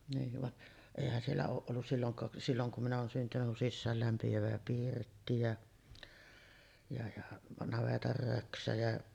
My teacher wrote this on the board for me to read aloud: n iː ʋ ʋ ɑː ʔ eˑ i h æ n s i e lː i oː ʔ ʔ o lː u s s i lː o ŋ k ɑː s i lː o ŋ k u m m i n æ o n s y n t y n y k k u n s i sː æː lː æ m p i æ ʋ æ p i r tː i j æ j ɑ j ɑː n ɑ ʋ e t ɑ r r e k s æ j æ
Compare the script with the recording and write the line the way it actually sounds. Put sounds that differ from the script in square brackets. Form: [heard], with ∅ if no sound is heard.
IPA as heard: n iː ʋ ʋ [ɑ] ʔ eˑ i h æ n s i e lː [æ] oː ʔ ʔ o lː u s s i lː o ŋ k ɑː s i lː o ŋ k u m m i n æ [oː] n s y n t y n y k k u n s i sː æː lː æ m p i æ ʋ æ p i r tː i j æ j ɑ j [ɑ] n ɑ ʋ e t ɑ r r [ø] k s æ j æ